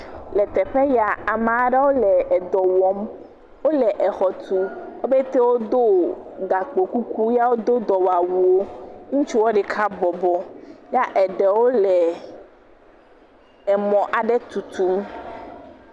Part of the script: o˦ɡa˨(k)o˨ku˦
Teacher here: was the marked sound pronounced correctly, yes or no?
no